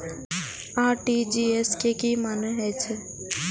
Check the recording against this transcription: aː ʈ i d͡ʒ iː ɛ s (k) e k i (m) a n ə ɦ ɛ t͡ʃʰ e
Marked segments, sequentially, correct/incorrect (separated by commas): correct, correct